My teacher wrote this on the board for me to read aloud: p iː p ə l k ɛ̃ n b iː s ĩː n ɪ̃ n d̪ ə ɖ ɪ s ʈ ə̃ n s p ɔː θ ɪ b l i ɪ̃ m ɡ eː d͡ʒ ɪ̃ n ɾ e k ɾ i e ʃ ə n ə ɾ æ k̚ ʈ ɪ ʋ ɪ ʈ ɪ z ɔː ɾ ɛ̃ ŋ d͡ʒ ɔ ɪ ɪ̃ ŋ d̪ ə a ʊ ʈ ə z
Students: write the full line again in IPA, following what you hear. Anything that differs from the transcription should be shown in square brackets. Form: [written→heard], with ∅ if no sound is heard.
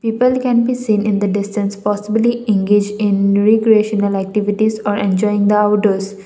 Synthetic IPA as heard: p iː p ə l k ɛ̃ n b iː s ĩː n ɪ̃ n d̪ ə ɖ ɪ s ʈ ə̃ n s p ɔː [θ→s] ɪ b l i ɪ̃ [m→ŋ] ɡ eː d͡ʒ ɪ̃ n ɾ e k ɾ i e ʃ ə n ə [ɾ→l] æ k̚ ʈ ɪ ʋ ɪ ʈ [ɪ→i] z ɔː ɾ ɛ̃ [ŋ→n] d͡ʒ ɔ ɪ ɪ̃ ŋ d̪ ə a ʊ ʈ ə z